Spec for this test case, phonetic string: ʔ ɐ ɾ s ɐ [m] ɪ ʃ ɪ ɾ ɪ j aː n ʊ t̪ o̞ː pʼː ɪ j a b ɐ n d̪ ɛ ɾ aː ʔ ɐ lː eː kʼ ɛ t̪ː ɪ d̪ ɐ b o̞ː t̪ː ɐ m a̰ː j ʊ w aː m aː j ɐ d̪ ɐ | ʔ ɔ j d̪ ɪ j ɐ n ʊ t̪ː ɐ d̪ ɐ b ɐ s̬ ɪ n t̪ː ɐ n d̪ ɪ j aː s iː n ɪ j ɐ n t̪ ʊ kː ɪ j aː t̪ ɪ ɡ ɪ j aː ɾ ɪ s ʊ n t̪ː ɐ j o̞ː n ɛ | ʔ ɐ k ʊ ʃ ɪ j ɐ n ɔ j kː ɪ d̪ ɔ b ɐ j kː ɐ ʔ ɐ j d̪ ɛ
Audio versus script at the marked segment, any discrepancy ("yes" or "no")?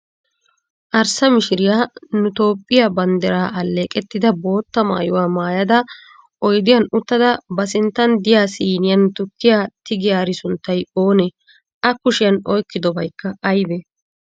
no